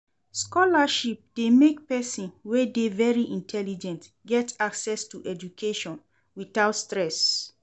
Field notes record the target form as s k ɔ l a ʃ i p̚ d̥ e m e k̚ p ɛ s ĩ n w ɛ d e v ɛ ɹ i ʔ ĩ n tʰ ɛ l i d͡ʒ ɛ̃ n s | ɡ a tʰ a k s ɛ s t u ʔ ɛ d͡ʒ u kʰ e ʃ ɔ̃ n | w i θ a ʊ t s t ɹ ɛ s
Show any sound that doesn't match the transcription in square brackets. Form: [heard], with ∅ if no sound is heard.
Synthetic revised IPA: s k ɔ l a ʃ i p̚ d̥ e m e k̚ p ɛ s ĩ n w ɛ d e v ɛ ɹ i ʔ ĩ n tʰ ɛ l i d͡ʒ ɛ̃ n [t] | ɡ [ɛ] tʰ a k s ɛ s t u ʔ ɛ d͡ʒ u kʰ e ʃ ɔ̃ n | w i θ a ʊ t s t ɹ ɛ s